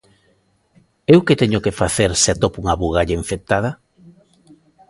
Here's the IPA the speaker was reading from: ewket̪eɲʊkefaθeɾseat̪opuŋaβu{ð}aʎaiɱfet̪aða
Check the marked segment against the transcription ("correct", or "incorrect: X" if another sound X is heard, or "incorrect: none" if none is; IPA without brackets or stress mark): incorrect: ɣ